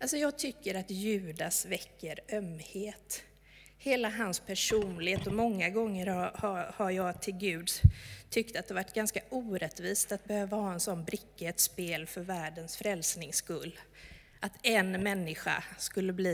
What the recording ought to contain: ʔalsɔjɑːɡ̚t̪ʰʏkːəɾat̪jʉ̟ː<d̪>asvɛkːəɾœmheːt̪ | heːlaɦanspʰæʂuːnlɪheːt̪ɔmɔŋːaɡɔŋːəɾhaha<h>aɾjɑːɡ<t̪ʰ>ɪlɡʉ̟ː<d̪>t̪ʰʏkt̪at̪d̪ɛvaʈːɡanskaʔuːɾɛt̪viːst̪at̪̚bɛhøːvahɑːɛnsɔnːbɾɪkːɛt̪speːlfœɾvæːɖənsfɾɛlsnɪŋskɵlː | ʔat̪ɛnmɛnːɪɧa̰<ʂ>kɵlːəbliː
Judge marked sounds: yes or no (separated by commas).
yes, yes, yes, yes, no